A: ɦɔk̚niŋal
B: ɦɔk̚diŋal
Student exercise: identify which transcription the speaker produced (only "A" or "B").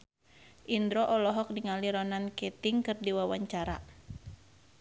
B